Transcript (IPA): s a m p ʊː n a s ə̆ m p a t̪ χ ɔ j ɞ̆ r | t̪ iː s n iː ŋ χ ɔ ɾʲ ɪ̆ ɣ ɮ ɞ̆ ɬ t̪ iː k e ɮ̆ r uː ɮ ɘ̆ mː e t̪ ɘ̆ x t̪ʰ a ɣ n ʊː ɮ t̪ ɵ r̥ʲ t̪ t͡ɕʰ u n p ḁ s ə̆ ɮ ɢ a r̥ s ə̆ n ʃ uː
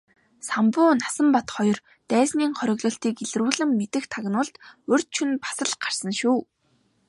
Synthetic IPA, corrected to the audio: s a m p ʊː n a s ə̆ m p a t̪ χ ɔ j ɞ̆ r | t̪ æː s n iː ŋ χ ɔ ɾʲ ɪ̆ ɣ ɮ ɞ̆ ɬ t̪ iː k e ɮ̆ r uː ɮ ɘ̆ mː e t̪ ɘ̆ x t̪ʰ a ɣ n ʊː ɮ t̪ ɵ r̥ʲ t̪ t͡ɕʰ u n p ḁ s ə̆ ɮ ɢ a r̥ s ə̆ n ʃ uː